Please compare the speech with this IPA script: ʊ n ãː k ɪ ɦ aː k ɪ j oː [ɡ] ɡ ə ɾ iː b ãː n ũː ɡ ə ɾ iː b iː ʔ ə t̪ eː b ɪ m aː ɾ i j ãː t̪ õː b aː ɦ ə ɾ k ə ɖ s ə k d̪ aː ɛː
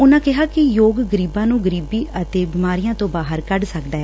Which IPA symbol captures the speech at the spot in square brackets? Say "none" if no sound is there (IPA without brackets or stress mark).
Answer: ɡ